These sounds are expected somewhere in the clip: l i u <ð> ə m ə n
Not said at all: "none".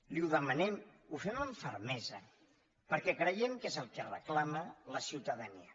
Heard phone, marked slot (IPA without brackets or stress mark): ð